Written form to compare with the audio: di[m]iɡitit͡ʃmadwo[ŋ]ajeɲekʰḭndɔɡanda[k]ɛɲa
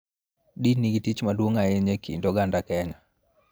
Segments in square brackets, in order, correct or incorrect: incorrect: n, correct, correct

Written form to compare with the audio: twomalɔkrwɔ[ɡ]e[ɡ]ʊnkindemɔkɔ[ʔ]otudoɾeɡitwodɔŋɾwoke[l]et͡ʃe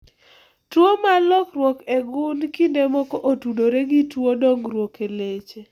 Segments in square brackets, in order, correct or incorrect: incorrect: k, correct, correct, correct

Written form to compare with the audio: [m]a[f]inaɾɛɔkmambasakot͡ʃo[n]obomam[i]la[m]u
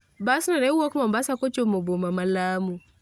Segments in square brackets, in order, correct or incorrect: incorrect: b, incorrect: s, incorrect: m, incorrect: a, correct

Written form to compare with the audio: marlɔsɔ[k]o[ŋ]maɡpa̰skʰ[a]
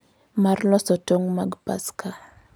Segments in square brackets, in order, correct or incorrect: incorrect: t, correct, correct

